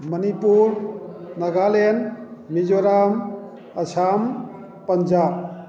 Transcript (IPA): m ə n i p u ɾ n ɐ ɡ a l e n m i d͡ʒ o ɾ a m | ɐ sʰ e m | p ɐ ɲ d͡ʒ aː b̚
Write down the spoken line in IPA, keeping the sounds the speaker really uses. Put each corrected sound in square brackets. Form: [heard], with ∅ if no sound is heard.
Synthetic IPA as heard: m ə n i p u ɾ n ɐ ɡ a l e n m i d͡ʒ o ɾ a m | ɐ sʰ [a] m | p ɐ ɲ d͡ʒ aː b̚